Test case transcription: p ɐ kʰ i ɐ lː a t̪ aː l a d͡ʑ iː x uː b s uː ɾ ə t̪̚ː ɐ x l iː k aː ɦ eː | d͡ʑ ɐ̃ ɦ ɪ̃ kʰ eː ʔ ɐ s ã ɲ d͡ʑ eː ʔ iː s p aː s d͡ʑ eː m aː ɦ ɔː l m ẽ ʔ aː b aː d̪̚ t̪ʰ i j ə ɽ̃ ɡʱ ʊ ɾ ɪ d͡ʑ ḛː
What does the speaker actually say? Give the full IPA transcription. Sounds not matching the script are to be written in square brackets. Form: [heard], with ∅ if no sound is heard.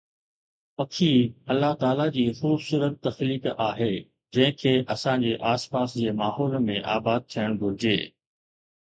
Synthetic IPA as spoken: p ɐ kʰ i ɐ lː a t̪ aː l a d͡ʑ iː x uː b s uː ɾ ə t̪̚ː ɐ x l iː k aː ɦ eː | d͡ʑ ɐ̃ ɦ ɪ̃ kʰ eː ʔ ɐ s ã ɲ d͡ʑ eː ʔ [aː] s p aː s d͡ʑ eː m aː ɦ ɔː l m ẽ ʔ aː b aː d̪̚ t̪ʰ i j ə ɽ̃ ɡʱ ʊ ɾ ɪ d͡ʑ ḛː